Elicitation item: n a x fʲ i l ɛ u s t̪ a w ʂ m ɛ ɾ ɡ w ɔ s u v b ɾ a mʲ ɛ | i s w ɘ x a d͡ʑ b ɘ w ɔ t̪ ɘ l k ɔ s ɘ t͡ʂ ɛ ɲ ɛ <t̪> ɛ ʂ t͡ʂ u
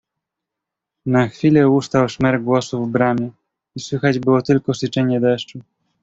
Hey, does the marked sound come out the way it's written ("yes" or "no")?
no